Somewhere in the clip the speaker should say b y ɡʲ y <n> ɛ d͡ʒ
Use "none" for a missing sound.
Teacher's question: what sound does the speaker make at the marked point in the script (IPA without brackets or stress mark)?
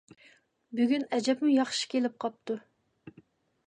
n